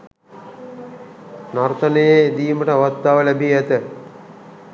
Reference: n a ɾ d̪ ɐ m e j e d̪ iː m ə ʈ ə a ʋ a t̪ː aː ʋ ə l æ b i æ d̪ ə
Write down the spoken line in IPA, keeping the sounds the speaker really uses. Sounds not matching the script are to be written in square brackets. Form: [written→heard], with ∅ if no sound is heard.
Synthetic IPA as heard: n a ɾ [d̪→t̪] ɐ [m→n] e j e d̪ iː m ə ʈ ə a ʋ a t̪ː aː ʋ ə l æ b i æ [d̪→t̪] ə